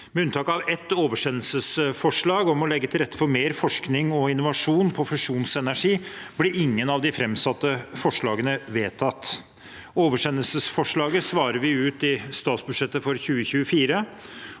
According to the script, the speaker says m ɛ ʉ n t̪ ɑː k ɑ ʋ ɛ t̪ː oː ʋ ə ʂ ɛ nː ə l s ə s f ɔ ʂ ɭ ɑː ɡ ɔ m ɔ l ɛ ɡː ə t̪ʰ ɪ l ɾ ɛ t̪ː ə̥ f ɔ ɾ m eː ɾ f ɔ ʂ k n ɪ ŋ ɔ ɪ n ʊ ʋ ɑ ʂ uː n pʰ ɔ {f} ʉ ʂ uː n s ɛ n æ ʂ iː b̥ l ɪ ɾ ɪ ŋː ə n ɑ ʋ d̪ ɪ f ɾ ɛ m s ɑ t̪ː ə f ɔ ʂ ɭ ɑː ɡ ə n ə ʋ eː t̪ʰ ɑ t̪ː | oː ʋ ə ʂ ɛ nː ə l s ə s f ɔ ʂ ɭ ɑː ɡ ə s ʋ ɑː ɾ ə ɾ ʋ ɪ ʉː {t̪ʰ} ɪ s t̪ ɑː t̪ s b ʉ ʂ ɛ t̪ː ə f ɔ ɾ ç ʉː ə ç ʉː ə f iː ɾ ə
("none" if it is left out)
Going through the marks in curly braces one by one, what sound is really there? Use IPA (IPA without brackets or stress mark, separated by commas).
f, t̪